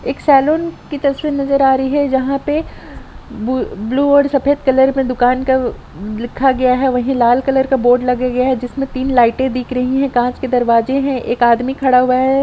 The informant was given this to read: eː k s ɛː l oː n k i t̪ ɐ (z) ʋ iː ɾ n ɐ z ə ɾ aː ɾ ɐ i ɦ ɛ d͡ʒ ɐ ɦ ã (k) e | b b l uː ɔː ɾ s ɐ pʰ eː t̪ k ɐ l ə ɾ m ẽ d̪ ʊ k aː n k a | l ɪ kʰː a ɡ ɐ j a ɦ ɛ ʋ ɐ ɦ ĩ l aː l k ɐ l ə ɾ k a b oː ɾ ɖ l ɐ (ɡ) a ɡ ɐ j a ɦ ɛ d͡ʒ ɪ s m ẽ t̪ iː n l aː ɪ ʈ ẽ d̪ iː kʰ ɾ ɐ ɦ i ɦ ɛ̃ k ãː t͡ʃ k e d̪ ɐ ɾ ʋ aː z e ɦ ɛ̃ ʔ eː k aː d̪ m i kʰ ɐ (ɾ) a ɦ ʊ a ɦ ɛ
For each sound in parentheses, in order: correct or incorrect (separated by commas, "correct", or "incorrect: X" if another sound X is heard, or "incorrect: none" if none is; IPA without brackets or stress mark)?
incorrect: s, incorrect: p, correct, incorrect: ɽ